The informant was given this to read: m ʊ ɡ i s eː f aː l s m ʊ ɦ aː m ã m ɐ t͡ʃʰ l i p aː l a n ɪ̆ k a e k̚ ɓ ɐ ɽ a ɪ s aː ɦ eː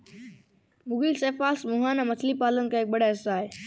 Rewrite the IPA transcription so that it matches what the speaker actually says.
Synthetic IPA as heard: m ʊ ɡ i s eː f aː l s m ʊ ɦ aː n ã m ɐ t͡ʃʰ l i p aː l ə n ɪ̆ k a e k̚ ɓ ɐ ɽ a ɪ s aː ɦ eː